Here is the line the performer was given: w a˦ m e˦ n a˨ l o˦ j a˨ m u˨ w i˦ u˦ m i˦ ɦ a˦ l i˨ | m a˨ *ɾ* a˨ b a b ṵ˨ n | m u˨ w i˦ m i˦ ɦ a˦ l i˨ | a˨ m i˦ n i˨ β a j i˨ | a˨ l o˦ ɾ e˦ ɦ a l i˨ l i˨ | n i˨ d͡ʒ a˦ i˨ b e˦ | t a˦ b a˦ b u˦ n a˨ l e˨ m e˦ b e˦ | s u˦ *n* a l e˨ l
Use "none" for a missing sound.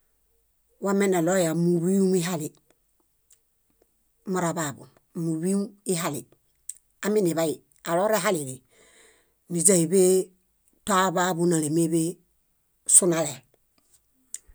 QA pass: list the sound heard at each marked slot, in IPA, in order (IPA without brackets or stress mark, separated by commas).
ɾ, n